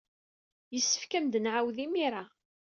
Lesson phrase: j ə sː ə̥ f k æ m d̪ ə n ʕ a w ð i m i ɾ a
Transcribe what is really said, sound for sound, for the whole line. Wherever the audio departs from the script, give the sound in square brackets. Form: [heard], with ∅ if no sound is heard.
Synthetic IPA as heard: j ə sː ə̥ f k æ m d̪ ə n ʕ a w ð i m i ɾ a